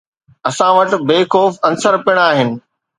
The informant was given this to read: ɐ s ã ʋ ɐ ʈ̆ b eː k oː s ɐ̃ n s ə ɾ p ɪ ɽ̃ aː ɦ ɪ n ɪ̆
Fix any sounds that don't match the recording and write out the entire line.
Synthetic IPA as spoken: ɐ s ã ʋ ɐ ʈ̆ b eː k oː f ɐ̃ n s ə ɾ p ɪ ɽ̃ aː ɦ ɪ n ɪ̆